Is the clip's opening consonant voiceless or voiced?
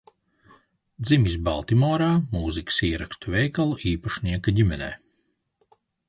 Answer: voiced